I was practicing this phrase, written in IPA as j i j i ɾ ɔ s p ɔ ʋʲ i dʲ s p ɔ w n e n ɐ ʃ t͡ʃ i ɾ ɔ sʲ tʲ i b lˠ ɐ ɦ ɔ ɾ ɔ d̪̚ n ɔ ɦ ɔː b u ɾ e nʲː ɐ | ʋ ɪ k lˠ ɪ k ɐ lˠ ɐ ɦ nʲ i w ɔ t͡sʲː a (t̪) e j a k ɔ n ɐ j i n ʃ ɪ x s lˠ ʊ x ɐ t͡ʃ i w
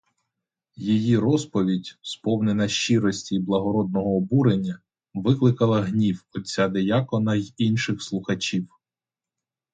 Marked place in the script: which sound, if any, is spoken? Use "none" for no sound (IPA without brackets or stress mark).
d̪